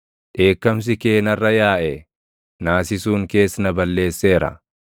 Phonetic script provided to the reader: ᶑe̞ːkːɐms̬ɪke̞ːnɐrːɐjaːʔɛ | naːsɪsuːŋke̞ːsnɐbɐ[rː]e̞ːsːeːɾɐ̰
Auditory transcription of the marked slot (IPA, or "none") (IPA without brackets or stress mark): lː